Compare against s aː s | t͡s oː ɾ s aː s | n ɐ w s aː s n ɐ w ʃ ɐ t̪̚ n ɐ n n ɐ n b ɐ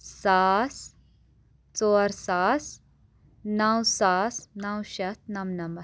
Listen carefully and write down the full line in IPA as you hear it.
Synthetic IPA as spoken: s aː s | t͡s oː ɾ s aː s | n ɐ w s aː s n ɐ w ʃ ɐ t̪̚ n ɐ m n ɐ m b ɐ